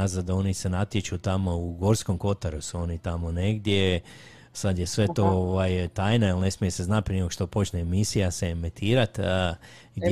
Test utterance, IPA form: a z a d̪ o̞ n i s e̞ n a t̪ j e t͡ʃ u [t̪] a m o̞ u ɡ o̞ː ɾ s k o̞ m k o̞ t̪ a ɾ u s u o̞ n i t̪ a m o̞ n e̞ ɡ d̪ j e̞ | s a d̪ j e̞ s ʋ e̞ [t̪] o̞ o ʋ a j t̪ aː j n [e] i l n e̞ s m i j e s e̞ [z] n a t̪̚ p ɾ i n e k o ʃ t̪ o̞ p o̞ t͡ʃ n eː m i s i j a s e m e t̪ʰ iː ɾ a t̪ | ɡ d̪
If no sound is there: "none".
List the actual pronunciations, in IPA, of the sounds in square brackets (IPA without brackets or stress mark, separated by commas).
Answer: t̪, t̪, a, z